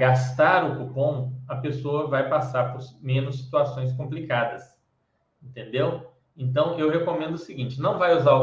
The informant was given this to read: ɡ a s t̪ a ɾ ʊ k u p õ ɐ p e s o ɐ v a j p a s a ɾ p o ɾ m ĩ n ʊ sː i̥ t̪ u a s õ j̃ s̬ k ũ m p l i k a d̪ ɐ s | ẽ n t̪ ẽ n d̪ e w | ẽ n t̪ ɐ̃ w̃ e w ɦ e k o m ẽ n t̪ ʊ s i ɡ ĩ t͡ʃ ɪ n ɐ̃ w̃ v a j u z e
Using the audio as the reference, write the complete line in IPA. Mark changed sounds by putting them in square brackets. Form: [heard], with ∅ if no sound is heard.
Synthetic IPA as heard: ɡ a s t̪ a ɾ ʊ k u p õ ɐ p e s o ɐ v a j p a s a ɾ p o ɾ m [ẽ] n ʊ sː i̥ t̪ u a s õ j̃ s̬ k [õ] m p l i k a d̪ ɐ s | ẽ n t̪ ẽ n d̪ e w | ẽ n t̪ ɐ̃ w̃ e w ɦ e k o m ẽ n [d̪] ʊ s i ɡ ĩ t͡ʃ ɪ n ɐ̃ w̃ v a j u z [a]